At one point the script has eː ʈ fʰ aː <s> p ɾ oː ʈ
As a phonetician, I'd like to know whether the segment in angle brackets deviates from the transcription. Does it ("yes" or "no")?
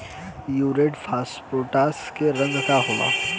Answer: no